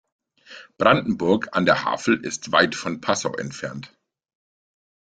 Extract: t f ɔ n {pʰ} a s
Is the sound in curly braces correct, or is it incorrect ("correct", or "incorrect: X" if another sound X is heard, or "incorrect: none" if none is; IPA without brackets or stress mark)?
correct